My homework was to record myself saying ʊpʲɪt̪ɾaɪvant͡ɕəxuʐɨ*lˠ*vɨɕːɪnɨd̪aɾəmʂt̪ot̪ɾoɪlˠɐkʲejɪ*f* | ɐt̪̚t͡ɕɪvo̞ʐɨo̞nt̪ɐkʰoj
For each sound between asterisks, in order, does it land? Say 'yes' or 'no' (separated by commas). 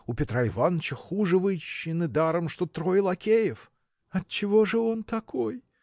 no, yes